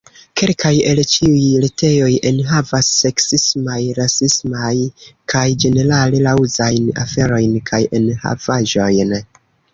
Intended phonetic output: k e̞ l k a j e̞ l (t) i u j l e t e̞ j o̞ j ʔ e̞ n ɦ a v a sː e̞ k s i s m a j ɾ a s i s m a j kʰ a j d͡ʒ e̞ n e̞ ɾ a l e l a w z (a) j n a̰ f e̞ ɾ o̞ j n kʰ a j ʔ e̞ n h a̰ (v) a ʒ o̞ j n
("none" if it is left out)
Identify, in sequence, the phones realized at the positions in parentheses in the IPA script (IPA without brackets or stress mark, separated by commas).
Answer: t͡ʃ, a, v